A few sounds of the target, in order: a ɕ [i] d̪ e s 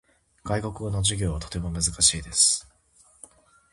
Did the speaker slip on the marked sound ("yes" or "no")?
yes